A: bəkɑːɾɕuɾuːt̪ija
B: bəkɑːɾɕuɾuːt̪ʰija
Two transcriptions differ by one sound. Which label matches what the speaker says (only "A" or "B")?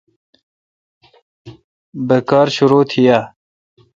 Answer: B